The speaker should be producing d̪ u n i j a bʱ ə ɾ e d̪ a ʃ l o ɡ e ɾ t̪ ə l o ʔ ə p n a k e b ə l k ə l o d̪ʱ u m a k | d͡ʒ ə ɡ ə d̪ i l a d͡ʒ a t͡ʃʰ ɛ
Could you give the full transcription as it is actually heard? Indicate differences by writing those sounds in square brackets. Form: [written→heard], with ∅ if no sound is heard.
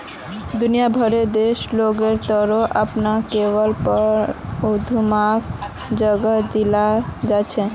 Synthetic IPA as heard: d̪ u n i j a bʱ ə ɾ e d̪ [a→e] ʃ l o ɡ e ɾ t̪ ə [l→ɾ] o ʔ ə p n a k e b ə l [k→p] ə [l→ɾ] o d̪ʱ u m a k | d͡ʒ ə ɡ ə d̪ i l a d͡ʒ a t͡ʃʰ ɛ

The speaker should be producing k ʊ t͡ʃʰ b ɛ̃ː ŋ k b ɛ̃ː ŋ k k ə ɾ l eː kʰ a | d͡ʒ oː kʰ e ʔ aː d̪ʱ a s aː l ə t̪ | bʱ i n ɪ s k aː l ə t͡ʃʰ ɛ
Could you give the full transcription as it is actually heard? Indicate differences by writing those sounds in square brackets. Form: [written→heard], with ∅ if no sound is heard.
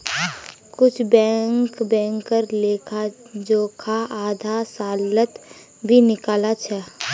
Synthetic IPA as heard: k ʊ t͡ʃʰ b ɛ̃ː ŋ k b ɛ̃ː ŋ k k ə ɾ l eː kʰ a | d͡ʒ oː kʰ [e→a] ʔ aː d̪ʱ a s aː l ə t̪ | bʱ i n ɪ [s→∅] k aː l [ə→a] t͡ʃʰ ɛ

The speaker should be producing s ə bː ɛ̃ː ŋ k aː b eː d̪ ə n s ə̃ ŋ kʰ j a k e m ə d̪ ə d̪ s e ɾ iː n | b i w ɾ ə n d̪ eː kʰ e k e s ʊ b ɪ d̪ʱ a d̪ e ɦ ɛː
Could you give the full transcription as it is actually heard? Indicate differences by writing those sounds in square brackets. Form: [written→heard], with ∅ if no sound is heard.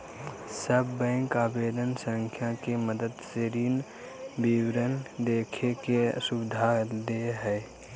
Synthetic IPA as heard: s ə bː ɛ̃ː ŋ k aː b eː d̪ ə n s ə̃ ŋ kʰ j a k e m ə d̪ ə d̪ s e ɾ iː n | b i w ɾ ə n d̪ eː kʰ e k e s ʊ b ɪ d̪ʱ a d̪ e ɦ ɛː

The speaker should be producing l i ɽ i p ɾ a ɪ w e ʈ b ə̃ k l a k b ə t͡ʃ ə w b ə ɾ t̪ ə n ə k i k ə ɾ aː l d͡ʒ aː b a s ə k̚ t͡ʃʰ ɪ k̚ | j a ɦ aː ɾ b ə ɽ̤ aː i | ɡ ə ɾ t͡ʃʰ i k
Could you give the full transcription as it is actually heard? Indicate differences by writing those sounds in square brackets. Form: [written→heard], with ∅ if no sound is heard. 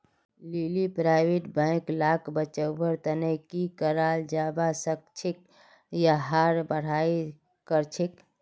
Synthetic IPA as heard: l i [ɽ→l] i p ɾ a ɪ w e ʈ b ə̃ k l a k b ə t͡ʃ ə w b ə ɾ t̪ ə n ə k i k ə ɾ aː l d͡ʒ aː b a s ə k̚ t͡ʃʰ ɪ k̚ | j a ɦ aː ɾ b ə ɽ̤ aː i | [ɡ→k] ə ɾ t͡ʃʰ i k

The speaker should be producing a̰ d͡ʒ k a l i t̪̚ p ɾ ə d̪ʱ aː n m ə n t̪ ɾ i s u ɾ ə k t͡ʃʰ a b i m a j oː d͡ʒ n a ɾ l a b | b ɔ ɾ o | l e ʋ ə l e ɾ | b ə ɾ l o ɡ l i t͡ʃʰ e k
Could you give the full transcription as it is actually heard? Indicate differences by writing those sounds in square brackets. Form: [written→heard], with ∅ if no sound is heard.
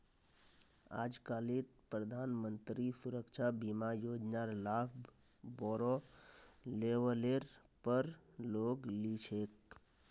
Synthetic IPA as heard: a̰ d͡ʒ k a l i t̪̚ p ɾ ə d̪ʱ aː n m ə n t̪ ɾ i s u ɾ ə k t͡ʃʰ a b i m a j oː d͡ʒ n a ɾ l a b | b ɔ ɾ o | l e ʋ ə l e ɾ | [b→p] ə ɾ l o ɡ l i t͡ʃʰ e k

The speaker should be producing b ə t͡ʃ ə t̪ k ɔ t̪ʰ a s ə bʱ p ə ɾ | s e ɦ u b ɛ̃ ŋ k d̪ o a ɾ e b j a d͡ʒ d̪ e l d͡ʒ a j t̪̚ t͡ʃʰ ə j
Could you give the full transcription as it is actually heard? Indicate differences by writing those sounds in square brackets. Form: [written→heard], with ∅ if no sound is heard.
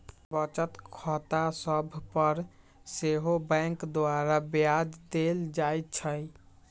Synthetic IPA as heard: b ə t͡ʃ ə t̪ [k→kʰ] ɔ [t̪ʰ→t̪] a s ə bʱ p ə ɾ | s e ɦ [u→o] b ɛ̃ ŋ k d̪ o a ɾ [e→a] b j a d͡ʒ d̪ e l d͡ʒ a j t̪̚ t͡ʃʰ ə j

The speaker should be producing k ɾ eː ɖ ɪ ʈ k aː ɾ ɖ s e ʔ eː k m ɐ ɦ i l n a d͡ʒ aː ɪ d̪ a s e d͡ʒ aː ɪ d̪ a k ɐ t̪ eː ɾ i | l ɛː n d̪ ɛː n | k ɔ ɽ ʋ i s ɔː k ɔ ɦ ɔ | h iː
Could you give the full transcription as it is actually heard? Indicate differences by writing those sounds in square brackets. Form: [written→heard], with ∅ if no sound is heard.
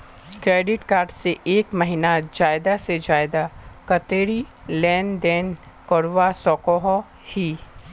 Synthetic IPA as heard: k ɾ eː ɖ ɪ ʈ k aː ɾ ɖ s e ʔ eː k m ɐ ɦ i [l→∅] n a d͡ʒ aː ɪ d̪ a s e d͡ʒ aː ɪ d̪ a k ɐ t̪ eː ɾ i | l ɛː n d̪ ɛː n | k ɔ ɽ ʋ [i→a] s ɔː k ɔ ɦ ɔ | h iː

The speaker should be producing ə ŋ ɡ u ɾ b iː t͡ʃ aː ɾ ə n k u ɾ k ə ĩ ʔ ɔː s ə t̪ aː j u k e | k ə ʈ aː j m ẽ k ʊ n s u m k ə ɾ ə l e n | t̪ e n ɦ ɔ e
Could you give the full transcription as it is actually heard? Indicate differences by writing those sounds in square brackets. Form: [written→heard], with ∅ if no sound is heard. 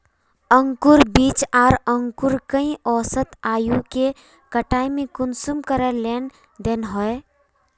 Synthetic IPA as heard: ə ŋ [ɡ→k] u ɾ b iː t͡ʃ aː ɾ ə [n→ŋ] k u ɾ k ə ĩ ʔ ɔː s ə t̪ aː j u k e | k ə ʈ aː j m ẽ k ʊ n s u m k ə ɾ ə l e n | [t̪→d̪] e n ɦ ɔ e

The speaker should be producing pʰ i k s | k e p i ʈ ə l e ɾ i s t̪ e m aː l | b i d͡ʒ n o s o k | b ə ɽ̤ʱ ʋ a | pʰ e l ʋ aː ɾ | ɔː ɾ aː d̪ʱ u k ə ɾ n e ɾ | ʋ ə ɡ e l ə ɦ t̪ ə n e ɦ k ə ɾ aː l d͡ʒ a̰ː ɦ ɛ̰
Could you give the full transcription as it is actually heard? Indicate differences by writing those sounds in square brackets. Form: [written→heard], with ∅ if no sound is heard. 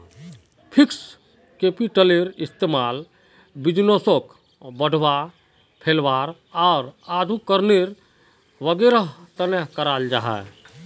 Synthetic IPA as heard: pʰ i k s | k e p i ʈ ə l e ɾ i s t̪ e m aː l | b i d͡ʒ n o s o k | b ə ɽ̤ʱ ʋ a | pʰ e l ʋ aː ɾ | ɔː ɾ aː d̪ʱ u k ə ɾ n e ɾ | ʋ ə ɡ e [l→ɾ] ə ɦ t̪ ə n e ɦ k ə ɾ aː l d͡ʒ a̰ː ɦ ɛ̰

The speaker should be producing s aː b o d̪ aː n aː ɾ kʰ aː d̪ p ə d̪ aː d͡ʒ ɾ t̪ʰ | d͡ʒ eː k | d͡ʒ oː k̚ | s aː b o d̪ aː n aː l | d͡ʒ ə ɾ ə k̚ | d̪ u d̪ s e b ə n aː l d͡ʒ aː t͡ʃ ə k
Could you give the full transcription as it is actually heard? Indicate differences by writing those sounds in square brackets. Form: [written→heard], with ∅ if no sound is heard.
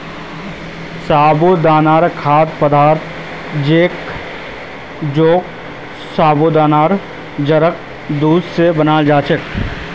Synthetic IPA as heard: s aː b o d̪ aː n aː ɾ kʰ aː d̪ p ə d̪ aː [d͡ʒ→∅] ɾ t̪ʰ | d͡ʒ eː k | d͡ʒ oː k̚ | s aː b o d̪ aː n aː [l→ɾ] | d͡ʒ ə ɾ ə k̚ | d̪ [u→uː] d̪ s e b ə n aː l d͡ʒ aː t͡ʃ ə k

